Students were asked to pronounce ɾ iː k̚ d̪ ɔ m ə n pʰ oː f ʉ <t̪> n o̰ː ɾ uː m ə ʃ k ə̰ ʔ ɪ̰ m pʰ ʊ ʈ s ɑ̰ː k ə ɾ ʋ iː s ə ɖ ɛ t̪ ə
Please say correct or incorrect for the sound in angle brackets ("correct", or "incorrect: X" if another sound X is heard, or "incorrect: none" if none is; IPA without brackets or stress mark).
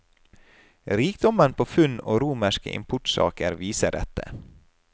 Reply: incorrect: none